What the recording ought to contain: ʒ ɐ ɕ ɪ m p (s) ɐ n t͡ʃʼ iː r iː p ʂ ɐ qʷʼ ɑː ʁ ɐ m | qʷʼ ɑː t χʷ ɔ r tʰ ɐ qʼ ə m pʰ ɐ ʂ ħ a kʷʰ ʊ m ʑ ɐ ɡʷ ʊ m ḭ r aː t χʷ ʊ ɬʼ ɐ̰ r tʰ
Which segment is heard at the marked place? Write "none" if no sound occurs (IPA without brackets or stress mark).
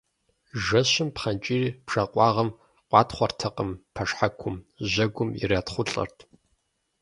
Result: χ